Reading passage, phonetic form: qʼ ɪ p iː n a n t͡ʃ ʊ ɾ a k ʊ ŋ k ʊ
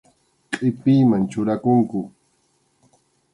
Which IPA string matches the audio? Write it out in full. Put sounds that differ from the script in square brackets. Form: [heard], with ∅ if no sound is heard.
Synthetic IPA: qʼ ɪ p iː [m] a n t͡ʃ ʊ ɾ a k ʊ ŋ k ʊ